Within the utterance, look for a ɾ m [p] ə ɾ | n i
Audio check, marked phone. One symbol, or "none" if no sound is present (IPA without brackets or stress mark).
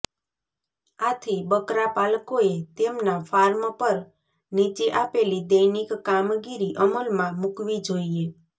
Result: p